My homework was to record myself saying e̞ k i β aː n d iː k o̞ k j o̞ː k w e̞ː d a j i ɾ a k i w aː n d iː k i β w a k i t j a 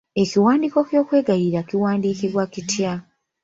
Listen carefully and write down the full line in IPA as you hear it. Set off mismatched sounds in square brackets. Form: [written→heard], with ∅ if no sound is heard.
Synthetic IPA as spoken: e̞ k i [β→w] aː n d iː k o̞ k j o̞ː k w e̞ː [d→ɡ] a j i ɾ a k i w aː n d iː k i β w a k i t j a